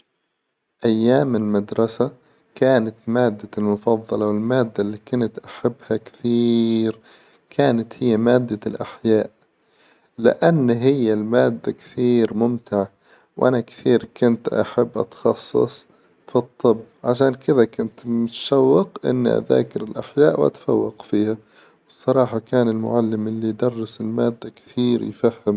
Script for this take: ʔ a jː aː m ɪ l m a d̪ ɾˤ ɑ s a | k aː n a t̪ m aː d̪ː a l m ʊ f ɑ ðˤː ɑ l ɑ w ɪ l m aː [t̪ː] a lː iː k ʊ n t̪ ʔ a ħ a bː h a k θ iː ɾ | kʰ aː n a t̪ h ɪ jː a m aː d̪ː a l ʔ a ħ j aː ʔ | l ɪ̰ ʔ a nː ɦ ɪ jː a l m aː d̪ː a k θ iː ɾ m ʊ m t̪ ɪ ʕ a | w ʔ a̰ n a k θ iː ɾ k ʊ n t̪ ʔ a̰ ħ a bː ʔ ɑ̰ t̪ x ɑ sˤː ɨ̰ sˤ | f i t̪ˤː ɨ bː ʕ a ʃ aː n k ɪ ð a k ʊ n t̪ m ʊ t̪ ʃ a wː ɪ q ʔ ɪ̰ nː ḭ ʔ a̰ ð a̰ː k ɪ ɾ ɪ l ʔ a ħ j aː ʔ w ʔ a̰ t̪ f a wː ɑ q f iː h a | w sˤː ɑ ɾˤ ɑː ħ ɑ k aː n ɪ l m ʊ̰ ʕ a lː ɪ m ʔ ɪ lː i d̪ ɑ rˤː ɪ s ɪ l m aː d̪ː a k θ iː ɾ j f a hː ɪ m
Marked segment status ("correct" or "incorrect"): incorrect